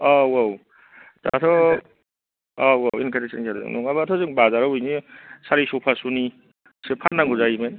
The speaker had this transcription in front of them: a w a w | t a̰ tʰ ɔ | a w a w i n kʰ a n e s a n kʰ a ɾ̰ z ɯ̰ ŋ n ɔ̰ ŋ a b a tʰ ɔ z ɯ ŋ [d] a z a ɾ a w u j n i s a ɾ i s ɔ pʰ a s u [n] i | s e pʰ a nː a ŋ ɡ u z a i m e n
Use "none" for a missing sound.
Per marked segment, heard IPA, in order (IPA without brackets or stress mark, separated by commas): b, n